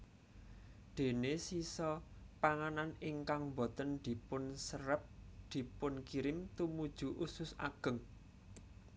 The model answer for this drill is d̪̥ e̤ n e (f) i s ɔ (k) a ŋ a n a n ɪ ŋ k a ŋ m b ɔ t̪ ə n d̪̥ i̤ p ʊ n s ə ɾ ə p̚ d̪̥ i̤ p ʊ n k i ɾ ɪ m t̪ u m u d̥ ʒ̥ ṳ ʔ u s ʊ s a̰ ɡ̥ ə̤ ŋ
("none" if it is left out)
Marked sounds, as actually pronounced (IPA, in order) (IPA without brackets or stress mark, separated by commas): s, p